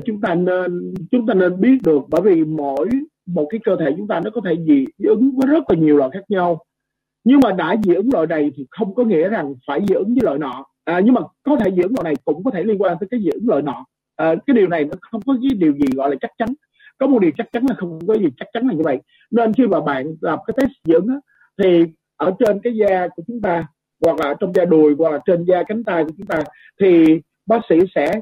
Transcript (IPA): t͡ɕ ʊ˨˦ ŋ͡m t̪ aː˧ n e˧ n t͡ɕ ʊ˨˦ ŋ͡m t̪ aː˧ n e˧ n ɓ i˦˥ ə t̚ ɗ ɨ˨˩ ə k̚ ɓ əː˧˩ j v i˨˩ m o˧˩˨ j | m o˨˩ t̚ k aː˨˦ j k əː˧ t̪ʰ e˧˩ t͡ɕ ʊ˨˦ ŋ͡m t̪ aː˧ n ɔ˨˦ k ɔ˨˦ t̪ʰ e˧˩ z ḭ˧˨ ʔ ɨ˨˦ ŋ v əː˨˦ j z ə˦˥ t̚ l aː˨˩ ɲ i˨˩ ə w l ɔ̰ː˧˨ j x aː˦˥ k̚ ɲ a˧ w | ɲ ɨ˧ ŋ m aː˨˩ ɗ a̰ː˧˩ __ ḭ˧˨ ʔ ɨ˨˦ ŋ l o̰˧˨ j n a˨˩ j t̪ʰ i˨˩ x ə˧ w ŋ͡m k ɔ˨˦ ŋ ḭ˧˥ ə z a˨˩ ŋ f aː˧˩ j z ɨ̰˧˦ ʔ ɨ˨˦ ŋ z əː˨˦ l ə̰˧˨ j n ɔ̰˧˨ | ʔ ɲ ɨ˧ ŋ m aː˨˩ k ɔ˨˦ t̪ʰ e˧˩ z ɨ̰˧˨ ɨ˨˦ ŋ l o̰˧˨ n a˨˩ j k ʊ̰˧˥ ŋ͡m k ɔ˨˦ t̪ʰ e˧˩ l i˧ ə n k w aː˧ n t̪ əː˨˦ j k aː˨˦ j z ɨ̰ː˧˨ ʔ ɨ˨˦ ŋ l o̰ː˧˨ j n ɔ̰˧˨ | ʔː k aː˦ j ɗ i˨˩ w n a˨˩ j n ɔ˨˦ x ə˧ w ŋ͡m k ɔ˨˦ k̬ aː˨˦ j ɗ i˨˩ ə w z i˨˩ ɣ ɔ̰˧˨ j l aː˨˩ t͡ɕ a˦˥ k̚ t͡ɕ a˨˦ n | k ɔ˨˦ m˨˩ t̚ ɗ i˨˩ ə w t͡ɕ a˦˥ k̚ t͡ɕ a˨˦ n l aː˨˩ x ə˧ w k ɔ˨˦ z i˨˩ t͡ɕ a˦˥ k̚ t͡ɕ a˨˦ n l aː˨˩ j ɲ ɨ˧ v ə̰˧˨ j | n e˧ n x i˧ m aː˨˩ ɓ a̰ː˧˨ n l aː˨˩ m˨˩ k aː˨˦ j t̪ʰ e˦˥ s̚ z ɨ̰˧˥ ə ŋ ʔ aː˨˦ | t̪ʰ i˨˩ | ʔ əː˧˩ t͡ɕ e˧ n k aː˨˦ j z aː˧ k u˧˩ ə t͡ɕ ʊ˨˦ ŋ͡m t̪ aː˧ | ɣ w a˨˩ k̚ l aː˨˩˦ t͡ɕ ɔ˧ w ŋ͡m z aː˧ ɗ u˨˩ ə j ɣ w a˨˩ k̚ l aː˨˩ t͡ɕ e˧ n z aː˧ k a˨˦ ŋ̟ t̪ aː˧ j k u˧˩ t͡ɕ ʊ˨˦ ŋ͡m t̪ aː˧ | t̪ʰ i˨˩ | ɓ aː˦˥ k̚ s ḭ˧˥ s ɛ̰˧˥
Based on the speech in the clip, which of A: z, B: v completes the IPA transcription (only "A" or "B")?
A